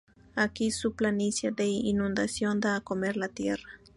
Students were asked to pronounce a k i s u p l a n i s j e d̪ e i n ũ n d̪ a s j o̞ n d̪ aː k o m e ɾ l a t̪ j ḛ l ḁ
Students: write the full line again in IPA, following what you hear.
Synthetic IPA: a k i s u p l a n i s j a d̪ e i n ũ n d̪ a s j o̞ n d̪ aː k o m e ɾ l a t̪ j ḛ r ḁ